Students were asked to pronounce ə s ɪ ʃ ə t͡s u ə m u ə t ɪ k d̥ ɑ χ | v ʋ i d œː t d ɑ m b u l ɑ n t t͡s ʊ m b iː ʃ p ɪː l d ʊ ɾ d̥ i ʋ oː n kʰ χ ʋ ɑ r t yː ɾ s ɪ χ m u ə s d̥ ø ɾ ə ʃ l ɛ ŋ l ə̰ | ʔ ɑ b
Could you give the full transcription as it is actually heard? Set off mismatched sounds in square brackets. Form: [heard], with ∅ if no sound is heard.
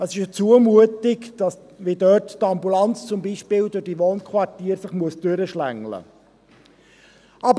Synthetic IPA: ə s ɪ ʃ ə t͡s u ə m u ə t ɪ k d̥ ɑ [s] | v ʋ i d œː t [t] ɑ m b u l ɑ n [t͡s] t͡s ʊ m b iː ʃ p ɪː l d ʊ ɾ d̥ i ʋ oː n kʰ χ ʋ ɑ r t [iː] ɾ s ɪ χ m u ə s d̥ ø ɾ ə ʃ l [æ] ŋ l ə̰ | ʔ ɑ b